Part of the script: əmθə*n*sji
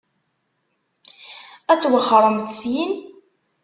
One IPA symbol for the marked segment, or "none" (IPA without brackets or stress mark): none